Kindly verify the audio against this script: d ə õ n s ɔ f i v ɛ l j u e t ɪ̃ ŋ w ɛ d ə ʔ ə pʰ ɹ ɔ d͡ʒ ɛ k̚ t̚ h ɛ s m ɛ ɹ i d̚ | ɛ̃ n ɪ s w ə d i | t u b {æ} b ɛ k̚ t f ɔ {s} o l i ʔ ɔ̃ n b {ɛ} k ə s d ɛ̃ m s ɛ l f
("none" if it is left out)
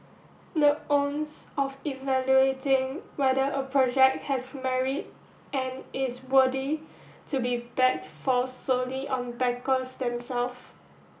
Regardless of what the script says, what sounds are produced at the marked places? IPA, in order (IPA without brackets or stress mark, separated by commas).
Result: i, s, ɛ